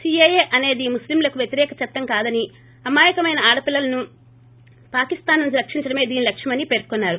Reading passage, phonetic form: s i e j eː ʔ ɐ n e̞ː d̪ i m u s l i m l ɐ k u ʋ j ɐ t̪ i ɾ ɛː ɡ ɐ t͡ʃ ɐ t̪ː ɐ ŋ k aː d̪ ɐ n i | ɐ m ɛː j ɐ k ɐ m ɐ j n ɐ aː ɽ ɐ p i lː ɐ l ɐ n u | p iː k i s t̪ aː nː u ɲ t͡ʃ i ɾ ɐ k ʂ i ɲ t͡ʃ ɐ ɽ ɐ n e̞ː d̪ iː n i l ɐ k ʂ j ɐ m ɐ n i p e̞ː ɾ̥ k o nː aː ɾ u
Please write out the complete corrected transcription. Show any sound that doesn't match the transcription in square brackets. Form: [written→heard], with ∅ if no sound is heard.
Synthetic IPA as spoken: s i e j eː ʔ ɐ n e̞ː d̪ i m u s l i m l ɐ k u ʋ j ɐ t̪ i ɾ ɛː [ɡ→k] ɐ t͡ʃ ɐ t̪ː ɐ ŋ k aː d̪ ɐ n i | ɐ m [ɛː→aː] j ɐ k ɐ m ɐ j n ɐ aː ɽ ɐ p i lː ɐ l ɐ n u | p [iː→aː] k i s t̪ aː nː u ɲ t͡ʃ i ɾ ɐ k ʂ i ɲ t͡ʃ ɐ ɽ ɐ [n→m] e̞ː d̪ iː n i l ɐ k ʂ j ɐ m ɐ n i p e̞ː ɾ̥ k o nː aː ɾ u